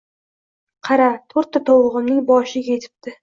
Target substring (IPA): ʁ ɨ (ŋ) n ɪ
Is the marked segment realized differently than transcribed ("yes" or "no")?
yes